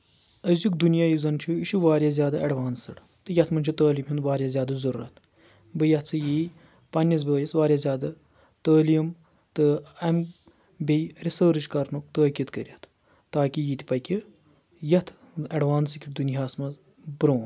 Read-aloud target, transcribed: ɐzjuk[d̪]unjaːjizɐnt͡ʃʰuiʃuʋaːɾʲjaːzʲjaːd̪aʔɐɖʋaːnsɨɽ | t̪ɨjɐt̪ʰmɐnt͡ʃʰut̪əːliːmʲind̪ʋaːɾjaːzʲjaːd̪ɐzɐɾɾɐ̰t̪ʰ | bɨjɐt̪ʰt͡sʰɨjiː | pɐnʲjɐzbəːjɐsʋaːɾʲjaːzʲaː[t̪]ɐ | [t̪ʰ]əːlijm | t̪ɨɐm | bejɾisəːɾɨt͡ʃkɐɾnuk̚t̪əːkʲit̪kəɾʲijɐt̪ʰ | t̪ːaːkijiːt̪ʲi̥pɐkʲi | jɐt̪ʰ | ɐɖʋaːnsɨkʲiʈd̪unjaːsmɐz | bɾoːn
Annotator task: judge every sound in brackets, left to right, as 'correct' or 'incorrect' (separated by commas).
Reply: correct, incorrect, incorrect